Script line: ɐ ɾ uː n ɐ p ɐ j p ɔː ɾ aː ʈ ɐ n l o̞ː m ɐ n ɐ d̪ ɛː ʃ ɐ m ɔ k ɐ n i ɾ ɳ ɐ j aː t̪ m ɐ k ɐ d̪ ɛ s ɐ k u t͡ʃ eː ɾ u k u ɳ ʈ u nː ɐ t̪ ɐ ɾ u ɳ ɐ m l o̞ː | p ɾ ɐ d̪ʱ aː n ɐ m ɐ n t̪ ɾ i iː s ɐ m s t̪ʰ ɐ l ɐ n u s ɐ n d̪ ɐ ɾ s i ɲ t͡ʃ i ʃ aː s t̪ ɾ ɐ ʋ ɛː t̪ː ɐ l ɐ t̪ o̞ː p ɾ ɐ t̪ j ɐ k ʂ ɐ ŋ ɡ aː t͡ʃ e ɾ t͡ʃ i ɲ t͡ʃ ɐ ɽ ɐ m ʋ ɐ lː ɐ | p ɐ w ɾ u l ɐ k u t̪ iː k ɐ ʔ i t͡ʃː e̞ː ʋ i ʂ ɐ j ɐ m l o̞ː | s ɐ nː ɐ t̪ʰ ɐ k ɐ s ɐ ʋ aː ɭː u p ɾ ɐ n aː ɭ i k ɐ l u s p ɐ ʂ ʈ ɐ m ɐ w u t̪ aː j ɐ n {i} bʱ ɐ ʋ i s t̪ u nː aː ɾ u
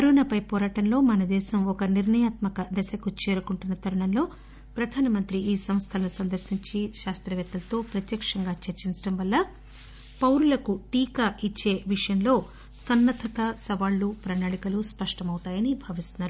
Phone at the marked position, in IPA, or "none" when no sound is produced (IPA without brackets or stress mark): i